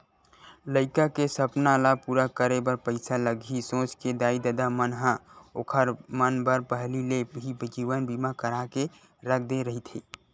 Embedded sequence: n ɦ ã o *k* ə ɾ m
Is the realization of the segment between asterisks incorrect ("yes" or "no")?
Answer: yes